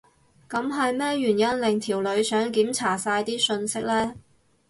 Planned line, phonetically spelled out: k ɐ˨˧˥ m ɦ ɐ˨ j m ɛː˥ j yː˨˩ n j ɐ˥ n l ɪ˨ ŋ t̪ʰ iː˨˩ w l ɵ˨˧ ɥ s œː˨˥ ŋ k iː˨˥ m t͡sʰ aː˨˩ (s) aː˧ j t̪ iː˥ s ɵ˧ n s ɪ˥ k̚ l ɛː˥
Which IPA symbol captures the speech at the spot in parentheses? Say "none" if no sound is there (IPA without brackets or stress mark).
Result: s